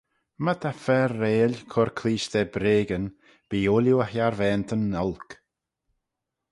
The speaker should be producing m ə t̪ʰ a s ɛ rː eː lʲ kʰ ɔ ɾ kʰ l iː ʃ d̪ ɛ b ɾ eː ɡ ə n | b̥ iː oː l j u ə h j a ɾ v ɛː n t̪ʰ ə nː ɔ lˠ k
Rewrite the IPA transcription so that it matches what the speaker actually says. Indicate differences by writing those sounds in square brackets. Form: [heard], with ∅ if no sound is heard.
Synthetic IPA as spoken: m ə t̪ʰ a [f] ɛ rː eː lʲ kʰ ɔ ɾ kʰ l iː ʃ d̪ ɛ b ɾ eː ɡ ə n | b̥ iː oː l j u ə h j a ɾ v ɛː n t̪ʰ ə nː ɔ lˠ k